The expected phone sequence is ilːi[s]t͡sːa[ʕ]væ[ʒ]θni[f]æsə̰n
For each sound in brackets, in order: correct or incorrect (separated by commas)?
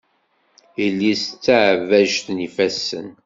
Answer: correct, correct, correct, correct